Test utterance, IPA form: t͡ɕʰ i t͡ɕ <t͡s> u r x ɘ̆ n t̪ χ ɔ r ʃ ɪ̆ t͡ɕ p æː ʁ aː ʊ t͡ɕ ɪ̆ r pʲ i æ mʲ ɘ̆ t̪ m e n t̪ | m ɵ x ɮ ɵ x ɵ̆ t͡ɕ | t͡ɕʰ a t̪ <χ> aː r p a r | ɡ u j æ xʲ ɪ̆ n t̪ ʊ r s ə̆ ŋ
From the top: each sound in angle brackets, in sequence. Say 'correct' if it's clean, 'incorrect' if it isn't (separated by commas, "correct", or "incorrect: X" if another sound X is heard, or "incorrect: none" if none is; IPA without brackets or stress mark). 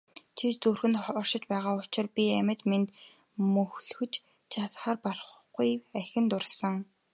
correct, correct